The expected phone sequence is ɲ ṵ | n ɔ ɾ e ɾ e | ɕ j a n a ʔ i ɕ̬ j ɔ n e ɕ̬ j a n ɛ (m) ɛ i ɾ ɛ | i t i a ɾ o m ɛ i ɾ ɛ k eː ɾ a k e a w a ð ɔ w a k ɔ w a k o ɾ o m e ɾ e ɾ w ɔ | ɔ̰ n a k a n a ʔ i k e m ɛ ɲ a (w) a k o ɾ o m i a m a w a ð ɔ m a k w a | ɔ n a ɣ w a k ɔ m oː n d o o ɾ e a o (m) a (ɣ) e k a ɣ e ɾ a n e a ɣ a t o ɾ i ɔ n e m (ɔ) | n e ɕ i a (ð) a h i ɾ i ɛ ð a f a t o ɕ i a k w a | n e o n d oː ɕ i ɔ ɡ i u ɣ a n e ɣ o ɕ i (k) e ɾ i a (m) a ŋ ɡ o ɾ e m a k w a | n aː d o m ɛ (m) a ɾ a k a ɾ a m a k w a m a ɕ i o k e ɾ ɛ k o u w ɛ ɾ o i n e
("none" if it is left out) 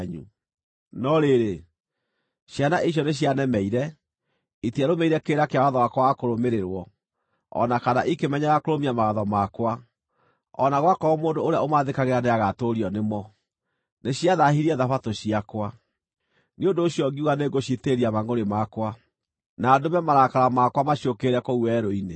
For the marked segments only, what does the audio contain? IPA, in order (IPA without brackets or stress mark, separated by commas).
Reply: m, ɣ, m, ð, ɔ, ð, t, m, m